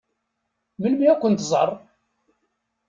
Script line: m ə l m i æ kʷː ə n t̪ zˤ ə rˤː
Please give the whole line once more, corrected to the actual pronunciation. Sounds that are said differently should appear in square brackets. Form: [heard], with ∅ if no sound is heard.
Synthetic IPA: m ə l m i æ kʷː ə n t̪ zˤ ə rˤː